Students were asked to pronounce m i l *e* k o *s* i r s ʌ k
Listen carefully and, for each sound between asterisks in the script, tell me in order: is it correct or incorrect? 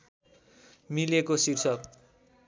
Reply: correct, correct

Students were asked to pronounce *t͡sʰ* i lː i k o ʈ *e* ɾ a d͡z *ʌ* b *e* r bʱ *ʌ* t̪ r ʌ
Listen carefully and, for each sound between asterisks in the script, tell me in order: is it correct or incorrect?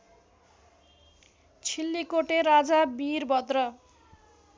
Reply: correct, correct, incorrect, incorrect, correct

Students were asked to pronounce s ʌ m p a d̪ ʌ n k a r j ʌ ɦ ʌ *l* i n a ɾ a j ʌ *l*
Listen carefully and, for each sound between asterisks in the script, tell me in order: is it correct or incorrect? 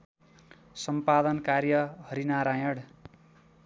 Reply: incorrect, incorrect

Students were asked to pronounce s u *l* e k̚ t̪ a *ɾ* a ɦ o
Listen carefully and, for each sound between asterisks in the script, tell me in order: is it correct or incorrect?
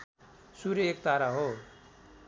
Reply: incorrect, correct

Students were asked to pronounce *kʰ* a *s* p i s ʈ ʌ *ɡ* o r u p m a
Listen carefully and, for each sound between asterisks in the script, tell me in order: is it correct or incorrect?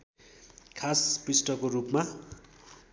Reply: correct, correct, incorrect

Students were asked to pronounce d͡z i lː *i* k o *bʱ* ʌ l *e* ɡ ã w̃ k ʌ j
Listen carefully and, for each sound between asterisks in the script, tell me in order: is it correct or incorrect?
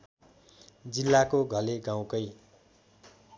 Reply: incorrect, incorrect, correct

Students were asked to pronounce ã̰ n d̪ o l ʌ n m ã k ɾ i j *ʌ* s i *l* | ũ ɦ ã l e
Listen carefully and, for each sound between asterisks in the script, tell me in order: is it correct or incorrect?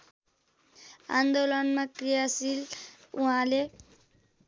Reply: incorrect, correct

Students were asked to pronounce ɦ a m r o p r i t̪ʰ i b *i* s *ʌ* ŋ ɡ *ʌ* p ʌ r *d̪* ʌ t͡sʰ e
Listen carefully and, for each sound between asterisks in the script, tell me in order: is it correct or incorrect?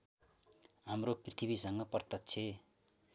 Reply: correct, correct, correct, incorrect

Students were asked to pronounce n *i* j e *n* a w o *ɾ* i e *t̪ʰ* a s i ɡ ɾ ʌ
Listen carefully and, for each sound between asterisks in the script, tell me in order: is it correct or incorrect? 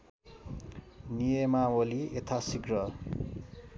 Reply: correct, incorrect, incorrect, correct

